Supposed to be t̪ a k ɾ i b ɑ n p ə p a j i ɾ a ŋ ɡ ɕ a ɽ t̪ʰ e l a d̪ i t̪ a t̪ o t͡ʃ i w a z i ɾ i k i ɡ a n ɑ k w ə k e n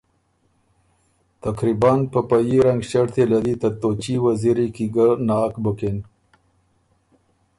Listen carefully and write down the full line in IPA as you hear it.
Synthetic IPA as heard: t̪ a k ɾ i b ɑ n p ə p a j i ɾ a ŋ ɡ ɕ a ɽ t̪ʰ e l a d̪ i t̪ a t̪ o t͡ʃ i w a z i ɾ i k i ɡ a n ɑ k b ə k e n